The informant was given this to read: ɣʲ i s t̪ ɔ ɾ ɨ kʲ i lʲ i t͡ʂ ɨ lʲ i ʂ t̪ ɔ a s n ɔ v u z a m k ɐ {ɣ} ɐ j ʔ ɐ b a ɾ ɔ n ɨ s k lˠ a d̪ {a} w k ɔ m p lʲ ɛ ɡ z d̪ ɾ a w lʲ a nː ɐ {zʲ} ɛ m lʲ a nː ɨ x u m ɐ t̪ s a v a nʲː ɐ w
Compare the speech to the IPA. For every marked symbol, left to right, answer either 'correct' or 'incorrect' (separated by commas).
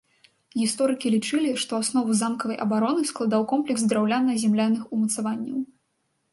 incorrect, correct, correct